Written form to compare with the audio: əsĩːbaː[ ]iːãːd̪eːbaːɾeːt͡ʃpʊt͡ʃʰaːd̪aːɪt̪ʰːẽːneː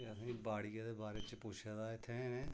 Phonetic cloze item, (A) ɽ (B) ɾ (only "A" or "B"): A